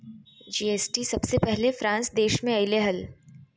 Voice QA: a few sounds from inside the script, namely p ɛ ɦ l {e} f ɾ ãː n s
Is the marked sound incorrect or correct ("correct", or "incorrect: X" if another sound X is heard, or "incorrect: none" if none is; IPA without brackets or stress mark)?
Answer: correct